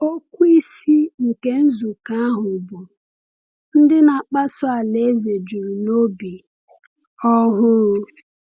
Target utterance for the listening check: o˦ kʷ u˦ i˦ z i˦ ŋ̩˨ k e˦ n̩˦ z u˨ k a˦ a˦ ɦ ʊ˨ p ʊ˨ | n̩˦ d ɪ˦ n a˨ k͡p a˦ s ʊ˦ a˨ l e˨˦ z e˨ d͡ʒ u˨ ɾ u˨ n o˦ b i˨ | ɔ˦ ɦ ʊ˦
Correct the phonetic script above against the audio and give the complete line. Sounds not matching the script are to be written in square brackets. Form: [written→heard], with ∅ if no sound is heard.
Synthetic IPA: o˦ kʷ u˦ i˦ [z→s] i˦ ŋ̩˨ k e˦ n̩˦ z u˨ k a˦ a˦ ɦ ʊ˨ [p→b] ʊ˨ | n̩˦ d ɪ˦ n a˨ k͡p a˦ s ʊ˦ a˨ l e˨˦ z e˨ d͡ʒ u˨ ɾ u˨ n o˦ b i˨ | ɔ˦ ɦ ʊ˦